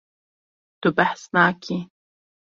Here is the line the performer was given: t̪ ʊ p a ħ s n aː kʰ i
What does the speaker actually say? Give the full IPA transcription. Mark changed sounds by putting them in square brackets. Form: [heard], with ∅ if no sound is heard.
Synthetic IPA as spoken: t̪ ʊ [b] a ħ s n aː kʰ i